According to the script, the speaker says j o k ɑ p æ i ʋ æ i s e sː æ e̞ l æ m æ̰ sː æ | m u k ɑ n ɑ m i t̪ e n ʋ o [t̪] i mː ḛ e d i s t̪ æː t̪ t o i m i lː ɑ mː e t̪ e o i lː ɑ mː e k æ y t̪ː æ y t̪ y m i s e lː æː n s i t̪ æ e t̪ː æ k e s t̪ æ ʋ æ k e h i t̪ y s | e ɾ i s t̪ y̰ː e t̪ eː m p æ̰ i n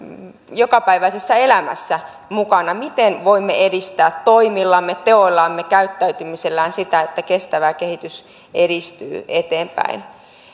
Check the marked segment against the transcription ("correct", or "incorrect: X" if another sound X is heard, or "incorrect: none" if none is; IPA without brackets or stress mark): incorrect: none